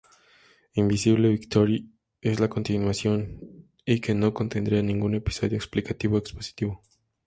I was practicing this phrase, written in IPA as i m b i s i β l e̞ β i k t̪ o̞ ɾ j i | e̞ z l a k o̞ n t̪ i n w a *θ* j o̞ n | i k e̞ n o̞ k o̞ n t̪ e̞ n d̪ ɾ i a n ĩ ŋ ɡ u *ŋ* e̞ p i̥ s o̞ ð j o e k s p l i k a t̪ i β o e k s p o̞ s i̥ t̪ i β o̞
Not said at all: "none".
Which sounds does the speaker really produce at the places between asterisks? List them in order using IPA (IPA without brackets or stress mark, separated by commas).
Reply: s, n